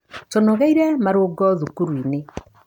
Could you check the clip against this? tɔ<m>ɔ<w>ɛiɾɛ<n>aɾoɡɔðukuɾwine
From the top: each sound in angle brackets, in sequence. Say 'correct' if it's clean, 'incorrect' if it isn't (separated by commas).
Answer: incorrect, incorrect, incorrect